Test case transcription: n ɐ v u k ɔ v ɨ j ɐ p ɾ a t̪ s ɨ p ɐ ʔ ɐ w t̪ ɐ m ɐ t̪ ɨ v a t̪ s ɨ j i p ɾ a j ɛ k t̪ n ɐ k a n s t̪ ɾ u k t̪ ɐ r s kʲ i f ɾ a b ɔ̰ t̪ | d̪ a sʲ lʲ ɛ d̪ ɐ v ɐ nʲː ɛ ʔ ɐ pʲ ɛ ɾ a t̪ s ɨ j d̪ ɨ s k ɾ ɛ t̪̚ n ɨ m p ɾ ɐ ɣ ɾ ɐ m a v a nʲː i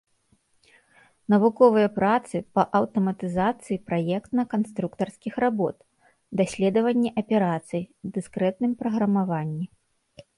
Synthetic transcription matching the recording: n ɐ v u k ɔ v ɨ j ɐ p ɾ a t̪ s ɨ p ɐ ʔ ɐ w t̪ ɐ m ɐ t̪ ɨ z a t̪ s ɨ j i p ɾ a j ɛ k t̪ n ɐ k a n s t̪ ɾ u k t̪ ɐ r s kʲ i x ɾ a b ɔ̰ t̪ | d̪ a sʲ lʲ ɛ d̪ ɐ v ɐ nʲː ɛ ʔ ɐ pʲ ɛ ɾ a t̪ s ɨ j d̪ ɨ s k ɾ ɛ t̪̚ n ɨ m p ɾ ɐ ɣ ɾ ɐ m a v a nʲː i

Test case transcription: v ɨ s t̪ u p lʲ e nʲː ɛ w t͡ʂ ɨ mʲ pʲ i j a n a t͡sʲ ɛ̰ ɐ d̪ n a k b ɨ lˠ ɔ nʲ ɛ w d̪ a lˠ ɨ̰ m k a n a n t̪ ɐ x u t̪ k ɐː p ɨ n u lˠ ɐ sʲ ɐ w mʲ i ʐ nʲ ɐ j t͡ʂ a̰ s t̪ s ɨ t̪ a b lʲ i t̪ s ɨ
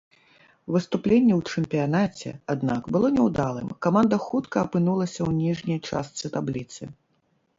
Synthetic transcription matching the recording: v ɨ s t̪ u p lʲ e nʲː ɛ w t͡ʂ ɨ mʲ pʲ i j a n a t͡sʲ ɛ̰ a d̪ n a k b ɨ lˠ ɔ nʲ ɛ w d̪ a lˠ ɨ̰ m k a m a n d̪ ɐ x u t̪ k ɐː p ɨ n u lˠ ɐ sʲ ɐ w nʲ i ʐ nʲ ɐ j t͡ʂ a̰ s t̪ s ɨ t̪ a b lʲ i t̪ s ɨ

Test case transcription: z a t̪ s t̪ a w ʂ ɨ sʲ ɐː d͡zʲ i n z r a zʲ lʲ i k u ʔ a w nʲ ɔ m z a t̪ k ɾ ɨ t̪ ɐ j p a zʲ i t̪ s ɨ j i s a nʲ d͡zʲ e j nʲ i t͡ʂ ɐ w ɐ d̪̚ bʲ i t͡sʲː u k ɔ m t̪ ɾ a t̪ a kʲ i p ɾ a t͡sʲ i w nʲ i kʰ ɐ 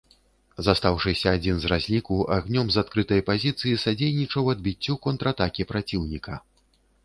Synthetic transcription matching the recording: z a s t̪ a w ʂ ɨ sʲ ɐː d͡zʲ i n z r a zʲ lʲ i k u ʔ a ɣ nʲ ɔ m z a t̪ k ɾ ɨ t̪ ɐ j p a zʲ i t̪ s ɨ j i s a d͡zʲ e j nʲ i t͡ʂ ɐ w ɐ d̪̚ bʲ i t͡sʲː u k ɔ n t̪ ɾ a t̪ a kʲ i p ɾ a t͡sʲ i w nʲ i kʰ ɐ

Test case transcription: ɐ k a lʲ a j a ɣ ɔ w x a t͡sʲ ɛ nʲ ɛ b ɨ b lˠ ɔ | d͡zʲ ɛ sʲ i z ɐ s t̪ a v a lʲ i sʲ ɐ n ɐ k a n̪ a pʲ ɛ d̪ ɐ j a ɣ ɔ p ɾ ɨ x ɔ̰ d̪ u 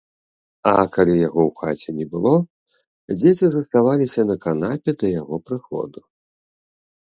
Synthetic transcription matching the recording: ɐ k a lʲ i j a ɣ ɔ w x a t͡sʲ ɛ nʲ ɛ b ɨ lˠ ɔ | d͡zʲ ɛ t͡sʲ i z ɐ s t̪ a v a lʲ i sʲ ɐ n ɐ k a n̪ a pʲ ɛ d̪ ɐ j a ɣ ɔ p ɾ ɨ x ɔ̰ d̪ u

